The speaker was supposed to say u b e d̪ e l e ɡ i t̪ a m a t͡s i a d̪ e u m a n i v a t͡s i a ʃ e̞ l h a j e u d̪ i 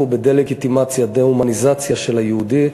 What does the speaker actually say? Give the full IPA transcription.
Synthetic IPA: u b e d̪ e l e ɡ i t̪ i m a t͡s j a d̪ e u m a n i z a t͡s j a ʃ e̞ l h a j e u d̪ i